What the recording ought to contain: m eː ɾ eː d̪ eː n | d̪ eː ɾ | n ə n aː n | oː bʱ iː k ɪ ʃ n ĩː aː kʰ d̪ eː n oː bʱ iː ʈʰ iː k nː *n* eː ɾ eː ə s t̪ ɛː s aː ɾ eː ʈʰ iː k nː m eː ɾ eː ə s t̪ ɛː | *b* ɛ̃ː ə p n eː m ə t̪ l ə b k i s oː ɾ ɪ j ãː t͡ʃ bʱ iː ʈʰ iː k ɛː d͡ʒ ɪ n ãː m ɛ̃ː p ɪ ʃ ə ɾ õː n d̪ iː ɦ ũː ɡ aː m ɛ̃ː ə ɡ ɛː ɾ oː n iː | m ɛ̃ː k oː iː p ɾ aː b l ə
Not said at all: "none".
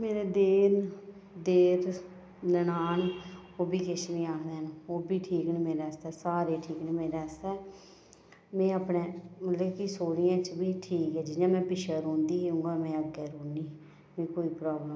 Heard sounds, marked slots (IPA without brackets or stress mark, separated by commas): m, m